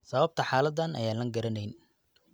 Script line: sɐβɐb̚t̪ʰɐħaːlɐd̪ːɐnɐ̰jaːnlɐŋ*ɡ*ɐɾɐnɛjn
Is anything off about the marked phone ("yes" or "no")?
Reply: no